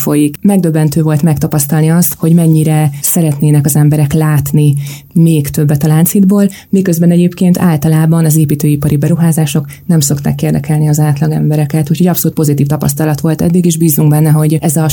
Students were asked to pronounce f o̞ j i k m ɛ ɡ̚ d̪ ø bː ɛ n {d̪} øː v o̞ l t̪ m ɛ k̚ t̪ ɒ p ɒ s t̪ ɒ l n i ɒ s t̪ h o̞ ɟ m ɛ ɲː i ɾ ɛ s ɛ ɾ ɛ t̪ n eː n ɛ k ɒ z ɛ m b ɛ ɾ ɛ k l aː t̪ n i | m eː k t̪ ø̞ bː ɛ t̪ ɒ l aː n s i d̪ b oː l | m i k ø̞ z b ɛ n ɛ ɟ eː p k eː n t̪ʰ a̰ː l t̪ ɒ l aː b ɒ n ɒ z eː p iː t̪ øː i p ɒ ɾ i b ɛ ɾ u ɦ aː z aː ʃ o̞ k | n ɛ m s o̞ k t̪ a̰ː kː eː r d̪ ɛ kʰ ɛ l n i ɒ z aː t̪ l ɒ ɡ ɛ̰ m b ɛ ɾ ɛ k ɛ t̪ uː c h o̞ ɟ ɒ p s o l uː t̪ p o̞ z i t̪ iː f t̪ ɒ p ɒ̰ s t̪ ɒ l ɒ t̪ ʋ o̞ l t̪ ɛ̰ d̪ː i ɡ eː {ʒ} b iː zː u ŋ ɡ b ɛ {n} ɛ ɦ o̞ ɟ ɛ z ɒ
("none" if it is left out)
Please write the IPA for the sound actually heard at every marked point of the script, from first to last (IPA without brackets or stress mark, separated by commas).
t̪, ʒ, nː